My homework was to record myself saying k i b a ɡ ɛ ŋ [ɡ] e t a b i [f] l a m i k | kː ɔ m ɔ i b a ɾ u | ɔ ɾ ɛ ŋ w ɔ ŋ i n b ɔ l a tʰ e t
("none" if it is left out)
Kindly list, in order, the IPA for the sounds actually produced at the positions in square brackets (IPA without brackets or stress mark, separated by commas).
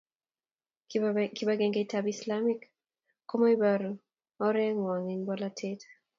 ɡ, s